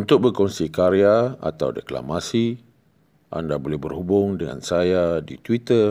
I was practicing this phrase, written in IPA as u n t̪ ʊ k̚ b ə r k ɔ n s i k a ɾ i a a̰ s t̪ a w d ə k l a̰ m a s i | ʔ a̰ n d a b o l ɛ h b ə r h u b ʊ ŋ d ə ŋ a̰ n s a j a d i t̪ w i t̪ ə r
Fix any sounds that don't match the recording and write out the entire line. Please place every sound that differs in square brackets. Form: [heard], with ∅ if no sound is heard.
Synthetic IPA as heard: u n t̪ ʊ k̚ b ə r k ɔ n s i k a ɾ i a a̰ [∅] t̪ a w d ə k l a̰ m a s i | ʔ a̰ n d a b o l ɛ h b ə r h u b ʊ ŋ d ə ŋ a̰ n s a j a d i t̪ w i t̪ ə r